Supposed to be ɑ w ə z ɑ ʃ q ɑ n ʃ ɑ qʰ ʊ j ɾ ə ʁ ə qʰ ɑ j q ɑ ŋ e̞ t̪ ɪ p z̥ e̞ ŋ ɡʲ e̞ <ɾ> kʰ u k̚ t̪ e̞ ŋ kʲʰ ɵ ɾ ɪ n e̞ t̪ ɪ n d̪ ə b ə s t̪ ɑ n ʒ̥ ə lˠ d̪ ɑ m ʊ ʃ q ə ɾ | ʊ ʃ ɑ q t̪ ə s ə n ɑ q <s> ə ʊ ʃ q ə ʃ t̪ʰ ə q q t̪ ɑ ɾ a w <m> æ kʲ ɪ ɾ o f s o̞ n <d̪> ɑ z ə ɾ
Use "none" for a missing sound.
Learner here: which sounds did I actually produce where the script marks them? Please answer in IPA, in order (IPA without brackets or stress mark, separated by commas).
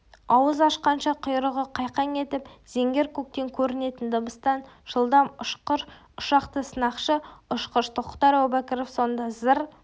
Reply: ɾ, ʃ, b, d̪